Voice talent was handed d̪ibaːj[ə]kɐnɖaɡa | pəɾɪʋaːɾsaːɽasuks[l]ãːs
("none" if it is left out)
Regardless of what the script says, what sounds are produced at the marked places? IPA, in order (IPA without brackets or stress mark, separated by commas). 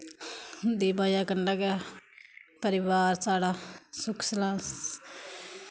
a, l